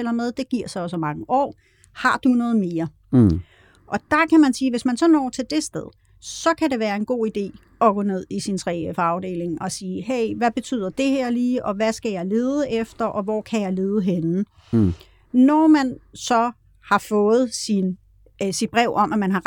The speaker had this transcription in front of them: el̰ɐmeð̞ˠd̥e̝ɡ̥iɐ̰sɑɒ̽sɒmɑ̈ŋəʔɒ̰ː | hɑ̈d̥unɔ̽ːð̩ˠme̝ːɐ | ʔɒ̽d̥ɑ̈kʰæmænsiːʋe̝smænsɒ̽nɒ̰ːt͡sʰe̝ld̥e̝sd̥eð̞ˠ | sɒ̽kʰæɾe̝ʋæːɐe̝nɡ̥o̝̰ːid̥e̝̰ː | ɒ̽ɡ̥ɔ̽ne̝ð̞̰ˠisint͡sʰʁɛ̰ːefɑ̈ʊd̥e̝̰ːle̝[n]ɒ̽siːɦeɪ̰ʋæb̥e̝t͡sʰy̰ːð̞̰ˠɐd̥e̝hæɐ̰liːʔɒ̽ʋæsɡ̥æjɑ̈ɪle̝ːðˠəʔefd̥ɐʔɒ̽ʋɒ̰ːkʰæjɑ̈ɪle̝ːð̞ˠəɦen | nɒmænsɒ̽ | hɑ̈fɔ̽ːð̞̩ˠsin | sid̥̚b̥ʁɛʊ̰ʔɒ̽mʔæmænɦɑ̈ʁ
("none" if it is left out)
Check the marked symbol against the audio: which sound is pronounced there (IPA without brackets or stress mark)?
ŋ